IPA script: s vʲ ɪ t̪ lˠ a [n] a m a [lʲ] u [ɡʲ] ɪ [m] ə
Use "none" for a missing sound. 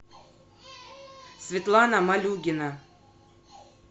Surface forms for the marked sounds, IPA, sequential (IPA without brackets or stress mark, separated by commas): n, lʲ, ɡʲ, n